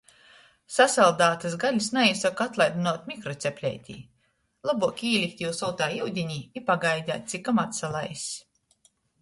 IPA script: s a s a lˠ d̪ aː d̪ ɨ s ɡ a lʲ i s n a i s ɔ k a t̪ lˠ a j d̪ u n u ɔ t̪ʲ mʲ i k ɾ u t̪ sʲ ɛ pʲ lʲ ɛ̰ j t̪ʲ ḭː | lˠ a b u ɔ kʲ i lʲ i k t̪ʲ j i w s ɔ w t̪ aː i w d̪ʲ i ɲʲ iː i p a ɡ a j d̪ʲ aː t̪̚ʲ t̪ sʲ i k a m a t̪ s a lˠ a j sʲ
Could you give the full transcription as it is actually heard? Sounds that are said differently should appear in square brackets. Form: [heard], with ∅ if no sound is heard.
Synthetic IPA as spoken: s a s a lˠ d̪ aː [t̪] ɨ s ɡ a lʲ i s n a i s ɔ k a t̪ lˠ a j d̪ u n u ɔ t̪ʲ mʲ i k ɾ [ɔ] t̪ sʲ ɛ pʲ lʲ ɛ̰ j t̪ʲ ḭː | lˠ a b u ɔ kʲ [iː] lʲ i k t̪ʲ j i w s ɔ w t̪ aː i w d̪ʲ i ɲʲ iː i p a ɡ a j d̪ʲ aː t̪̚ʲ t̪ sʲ i k a m a t̪ s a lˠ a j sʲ